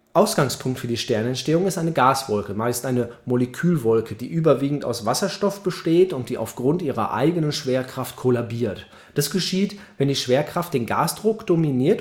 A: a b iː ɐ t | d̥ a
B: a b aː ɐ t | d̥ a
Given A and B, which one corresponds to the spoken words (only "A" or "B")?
A